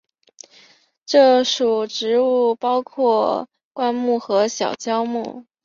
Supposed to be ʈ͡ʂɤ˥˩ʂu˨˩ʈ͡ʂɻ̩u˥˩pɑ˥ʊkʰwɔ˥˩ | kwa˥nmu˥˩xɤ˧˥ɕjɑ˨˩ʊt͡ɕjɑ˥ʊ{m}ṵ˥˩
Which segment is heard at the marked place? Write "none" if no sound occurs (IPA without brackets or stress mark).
m